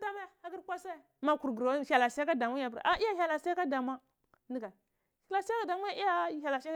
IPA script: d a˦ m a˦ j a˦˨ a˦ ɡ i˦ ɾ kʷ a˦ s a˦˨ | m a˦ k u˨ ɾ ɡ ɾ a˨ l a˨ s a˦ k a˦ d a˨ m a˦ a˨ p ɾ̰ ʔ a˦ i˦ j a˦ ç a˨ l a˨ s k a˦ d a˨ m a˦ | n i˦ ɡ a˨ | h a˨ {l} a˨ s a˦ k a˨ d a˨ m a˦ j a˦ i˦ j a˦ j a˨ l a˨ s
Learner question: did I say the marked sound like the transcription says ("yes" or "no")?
yes